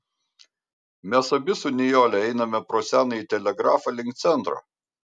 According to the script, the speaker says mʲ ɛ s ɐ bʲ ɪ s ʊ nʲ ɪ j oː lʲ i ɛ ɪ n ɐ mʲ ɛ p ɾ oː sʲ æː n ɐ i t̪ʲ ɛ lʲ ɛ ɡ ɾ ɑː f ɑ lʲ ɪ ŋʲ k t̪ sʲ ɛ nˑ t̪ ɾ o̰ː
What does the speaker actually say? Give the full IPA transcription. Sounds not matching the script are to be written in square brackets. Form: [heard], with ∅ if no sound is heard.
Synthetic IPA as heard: mʲ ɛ s ɐ bʲ ɪ s ʊ nʲ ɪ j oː lʲ [ɛ] ɛ ɪ n ɐ mʲ ɛ p ɾ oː sʲ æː n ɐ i t̪ʲ ɛ lʲ ɛ ɡ ɾ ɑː f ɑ lʲ ɪ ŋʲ k t̪ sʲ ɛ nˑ t̪ ɾ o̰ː